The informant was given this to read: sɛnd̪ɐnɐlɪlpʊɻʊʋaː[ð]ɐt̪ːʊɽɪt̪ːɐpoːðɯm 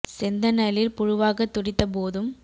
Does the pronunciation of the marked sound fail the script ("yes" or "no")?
yes